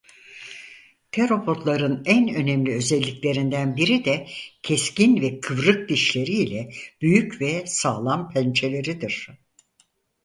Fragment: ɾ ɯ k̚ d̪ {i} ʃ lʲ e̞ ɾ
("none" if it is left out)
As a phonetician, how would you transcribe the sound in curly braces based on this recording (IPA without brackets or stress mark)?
i